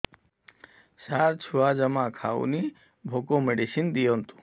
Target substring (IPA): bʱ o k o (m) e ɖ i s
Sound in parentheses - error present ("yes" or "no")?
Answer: no